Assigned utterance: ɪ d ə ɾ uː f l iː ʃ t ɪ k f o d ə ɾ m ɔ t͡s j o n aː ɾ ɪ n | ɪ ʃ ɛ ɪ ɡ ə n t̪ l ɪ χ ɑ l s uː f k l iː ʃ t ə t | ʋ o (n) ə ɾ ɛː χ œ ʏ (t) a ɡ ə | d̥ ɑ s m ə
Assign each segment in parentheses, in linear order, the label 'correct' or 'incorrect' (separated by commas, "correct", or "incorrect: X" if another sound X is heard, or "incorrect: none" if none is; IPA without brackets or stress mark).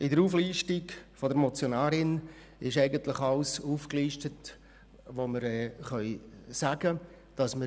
incorrect: m, incorrect: s